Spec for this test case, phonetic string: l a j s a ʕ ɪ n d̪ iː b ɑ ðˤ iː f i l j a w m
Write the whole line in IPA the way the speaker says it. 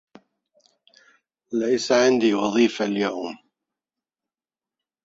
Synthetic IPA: l a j s a ʕ ɪ n d̪ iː w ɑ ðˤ iː f a l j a w m